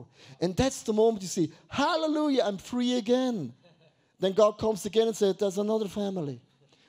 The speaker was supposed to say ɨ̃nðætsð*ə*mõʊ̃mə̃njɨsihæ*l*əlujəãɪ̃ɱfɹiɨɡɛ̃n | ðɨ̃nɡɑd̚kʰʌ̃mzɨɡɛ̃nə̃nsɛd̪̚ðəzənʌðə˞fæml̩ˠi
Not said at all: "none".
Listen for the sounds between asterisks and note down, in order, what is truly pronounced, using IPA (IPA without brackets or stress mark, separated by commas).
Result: ə, l